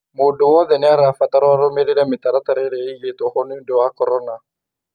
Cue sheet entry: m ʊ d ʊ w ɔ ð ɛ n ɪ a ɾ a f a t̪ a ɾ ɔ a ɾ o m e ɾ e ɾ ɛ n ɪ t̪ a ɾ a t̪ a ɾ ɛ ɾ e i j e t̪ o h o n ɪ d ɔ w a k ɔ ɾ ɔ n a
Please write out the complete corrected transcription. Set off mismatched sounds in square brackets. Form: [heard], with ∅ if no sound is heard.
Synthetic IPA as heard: m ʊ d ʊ w ɔ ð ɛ n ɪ a ɾ a f a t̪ a ɾ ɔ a ɾ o m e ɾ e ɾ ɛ [m] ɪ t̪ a ɾ a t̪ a ɾ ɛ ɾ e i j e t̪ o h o n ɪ d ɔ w a k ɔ ɾ ɔ n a